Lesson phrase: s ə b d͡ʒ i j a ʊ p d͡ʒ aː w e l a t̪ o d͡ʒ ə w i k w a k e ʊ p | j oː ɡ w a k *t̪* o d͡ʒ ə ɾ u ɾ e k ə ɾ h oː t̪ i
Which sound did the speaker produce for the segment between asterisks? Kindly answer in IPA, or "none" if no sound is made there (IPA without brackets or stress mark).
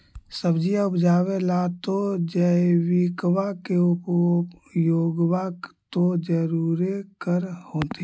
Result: t̪